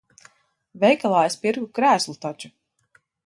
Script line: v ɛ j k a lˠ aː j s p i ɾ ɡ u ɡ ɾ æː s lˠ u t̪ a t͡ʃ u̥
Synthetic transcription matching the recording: v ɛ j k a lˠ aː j s p i ɾ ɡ u k ɾ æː s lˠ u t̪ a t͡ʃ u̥